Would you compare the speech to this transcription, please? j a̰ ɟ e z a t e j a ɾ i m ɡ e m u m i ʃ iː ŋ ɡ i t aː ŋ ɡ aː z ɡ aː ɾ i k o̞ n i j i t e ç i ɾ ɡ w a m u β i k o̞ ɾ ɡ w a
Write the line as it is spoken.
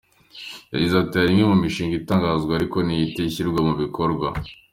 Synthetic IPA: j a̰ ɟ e z a t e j a ɾ i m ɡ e m u m i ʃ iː ŋ ɡ i t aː ŋ ɡ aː z ɡ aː ɾ i k o̞ n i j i t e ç i ɾ ɡ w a m u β i k o̞ ɾ ɡ w a